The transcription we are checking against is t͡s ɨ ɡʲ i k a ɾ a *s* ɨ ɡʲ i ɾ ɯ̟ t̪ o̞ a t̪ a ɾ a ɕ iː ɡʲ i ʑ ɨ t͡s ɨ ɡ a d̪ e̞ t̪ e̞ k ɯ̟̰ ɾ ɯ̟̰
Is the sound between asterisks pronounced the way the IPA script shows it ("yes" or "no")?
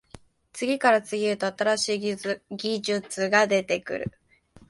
no